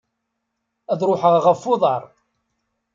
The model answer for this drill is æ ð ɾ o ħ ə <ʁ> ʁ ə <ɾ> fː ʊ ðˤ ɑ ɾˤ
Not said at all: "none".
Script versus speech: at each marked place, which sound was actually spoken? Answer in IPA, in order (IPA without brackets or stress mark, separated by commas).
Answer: ʁ, none